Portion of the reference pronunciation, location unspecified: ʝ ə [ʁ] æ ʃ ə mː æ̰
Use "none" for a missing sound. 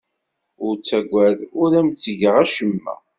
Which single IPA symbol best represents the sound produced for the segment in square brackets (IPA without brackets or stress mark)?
ʁ